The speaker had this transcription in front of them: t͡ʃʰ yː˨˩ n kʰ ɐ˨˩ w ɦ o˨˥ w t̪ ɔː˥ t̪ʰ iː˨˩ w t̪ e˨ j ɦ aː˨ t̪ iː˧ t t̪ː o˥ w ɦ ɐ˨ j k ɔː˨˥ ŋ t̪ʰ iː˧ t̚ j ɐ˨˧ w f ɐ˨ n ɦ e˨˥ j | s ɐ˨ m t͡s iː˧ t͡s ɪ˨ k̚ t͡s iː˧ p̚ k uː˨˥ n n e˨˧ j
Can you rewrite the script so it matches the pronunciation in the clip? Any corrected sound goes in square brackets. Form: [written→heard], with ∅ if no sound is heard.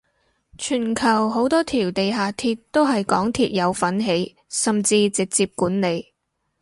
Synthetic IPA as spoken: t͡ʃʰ yː˨˩ n kʰ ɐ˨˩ w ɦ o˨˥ w t̪ ɔː˥ t̪ʰ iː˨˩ w t̪ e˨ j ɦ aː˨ [t̪→t̪ʰ] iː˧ t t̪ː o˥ w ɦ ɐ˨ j k ɔː˨˥ ŋ t̪ʰ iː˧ t̚ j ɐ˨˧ w f [ɐ˨→ɐ˨˥] n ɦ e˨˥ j | s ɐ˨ m t͡s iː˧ t͡s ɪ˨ k̚ t͡s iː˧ p̚ k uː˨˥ n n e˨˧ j